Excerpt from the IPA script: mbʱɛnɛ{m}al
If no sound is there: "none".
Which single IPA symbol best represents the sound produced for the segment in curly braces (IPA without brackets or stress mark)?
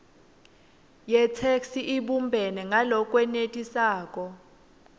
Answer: ŋ